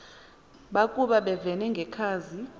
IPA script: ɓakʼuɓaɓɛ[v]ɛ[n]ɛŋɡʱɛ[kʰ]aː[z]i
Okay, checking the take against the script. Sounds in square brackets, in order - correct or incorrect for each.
correct, correct, correct, correct

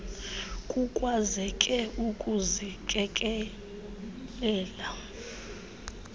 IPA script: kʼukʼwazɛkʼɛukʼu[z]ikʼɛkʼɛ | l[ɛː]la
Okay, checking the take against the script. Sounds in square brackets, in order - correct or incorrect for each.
correct, correct

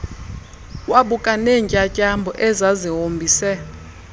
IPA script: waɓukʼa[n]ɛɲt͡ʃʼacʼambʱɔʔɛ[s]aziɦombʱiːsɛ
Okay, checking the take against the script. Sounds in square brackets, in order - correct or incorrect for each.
correct, incorrect: z

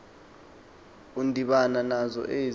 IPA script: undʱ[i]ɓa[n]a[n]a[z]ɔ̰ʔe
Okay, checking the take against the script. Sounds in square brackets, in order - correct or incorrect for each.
correct, correct, correct, correct

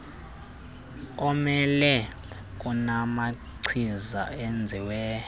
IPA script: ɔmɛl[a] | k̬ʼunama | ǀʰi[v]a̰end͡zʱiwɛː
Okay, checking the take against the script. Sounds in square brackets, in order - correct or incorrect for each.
incorrect: ɛ, incorrect: z

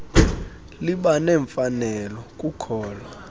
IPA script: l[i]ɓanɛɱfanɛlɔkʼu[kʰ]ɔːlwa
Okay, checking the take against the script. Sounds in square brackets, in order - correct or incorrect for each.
correct, correct

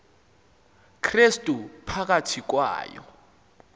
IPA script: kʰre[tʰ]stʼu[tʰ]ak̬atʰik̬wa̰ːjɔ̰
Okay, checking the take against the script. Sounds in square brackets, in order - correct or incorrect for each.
incorrect: none, incorrect: pʰ

